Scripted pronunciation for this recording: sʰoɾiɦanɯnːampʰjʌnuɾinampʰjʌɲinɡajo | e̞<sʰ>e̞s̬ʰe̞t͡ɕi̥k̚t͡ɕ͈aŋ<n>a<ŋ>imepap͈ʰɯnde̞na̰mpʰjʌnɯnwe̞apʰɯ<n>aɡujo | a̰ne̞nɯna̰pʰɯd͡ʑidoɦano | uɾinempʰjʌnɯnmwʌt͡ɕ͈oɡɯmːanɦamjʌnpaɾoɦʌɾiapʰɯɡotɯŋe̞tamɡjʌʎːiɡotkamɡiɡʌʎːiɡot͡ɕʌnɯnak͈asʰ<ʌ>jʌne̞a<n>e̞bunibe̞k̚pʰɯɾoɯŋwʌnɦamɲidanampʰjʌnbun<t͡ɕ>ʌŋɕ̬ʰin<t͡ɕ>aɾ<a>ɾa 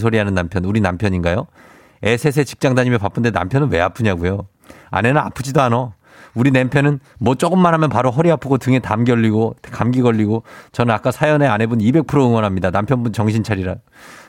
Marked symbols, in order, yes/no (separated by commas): yes, no, no, no, no, yes, yes, no, no